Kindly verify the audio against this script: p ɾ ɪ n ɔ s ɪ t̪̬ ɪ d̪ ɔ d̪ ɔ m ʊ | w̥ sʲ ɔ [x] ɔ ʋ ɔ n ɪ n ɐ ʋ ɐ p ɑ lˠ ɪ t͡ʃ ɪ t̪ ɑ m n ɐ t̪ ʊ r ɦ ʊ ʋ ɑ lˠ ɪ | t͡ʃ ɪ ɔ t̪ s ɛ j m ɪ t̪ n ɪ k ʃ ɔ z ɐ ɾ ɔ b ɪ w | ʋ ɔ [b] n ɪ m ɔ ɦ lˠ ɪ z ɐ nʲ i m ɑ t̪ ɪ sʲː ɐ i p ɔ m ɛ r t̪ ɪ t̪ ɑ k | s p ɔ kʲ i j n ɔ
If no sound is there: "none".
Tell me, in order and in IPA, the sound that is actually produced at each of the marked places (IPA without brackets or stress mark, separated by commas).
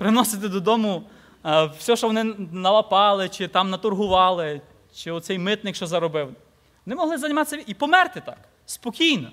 ʃ, none